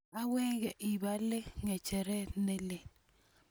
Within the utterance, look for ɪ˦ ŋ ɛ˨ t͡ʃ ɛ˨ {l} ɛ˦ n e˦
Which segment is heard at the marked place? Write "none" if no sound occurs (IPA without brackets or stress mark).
ɾ